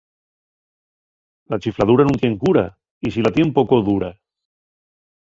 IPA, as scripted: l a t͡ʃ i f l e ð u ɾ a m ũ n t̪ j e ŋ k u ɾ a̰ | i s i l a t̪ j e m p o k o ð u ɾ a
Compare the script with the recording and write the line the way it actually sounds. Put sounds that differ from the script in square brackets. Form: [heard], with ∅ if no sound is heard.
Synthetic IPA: l a t͡ʃ i f l [a] ð u ɾ a [n] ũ n t̪ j e ŋ k u ɾ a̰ | i s i l a t̪ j e m p o k o ð u ɾ a

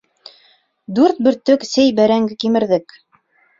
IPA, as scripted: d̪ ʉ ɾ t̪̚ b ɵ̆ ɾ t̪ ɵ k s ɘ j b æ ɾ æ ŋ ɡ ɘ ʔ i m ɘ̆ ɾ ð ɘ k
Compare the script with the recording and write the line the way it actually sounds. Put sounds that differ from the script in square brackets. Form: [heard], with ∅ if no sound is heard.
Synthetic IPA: d̪ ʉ ɾ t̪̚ b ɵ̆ ɾ t̪ ɵ k s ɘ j b æ ɾ æ ŋ ɡ ɘ [k] i m ɘ̆ ɾ ð ɘ k

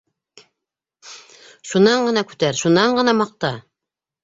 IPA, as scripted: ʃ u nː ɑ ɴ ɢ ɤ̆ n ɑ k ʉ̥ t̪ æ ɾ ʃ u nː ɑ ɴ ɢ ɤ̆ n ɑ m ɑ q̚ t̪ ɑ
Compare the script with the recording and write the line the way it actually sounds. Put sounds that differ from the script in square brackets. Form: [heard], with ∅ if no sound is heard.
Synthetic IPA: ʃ u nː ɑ ɴ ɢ ɤ̆ n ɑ k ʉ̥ t̪ æ ɾ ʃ u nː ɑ ɴ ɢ ɤ̆ n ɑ m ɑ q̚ t̪ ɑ

